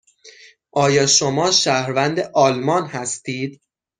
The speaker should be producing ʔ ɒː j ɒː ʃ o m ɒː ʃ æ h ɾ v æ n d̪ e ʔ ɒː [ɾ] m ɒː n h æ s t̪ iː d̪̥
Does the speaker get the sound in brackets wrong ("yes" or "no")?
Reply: yes